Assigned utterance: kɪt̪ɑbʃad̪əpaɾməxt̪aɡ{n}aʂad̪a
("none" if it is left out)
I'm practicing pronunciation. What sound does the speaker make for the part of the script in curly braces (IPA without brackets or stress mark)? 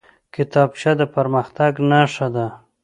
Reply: n